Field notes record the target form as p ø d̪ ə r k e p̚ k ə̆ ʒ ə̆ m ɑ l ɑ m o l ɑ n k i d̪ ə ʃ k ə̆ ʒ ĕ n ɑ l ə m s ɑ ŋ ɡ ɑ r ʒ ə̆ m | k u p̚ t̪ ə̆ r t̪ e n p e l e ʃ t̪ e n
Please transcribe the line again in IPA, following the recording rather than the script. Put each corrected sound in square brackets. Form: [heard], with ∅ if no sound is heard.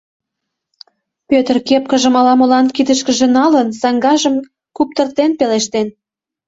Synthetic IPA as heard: p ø [t̪] ə r k e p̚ k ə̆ ʒ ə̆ m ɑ l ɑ m o l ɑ n k i d̪ ə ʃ k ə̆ ʒ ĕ n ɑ l ə [n] s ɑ ŋ ɡ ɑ [∅] ʒ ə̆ m | k u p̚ t̪ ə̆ r t̪ e n p e l e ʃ t̪ e n